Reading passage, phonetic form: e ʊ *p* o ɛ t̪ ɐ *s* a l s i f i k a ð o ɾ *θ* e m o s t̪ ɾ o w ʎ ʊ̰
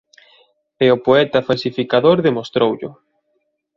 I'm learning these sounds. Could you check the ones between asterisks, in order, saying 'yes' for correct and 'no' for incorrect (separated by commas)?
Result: yes, no, no